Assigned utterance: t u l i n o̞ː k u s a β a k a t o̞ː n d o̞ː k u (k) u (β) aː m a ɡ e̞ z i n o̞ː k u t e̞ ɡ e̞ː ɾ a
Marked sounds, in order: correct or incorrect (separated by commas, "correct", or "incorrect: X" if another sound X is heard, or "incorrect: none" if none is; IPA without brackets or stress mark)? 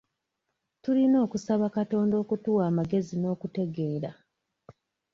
incorrect: t, incorrect: w